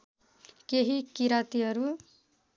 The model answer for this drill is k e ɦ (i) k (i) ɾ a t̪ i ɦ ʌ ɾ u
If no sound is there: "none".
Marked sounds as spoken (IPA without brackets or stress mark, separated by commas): i, i